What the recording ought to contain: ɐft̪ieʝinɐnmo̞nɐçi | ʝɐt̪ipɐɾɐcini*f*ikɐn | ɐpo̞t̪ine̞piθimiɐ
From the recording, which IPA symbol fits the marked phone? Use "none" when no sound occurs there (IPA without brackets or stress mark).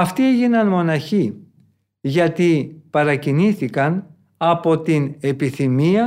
θ